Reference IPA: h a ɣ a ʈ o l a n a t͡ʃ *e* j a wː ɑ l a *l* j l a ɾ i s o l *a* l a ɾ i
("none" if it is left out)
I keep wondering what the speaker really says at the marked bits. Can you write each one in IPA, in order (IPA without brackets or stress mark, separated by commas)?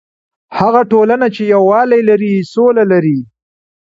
e, none, a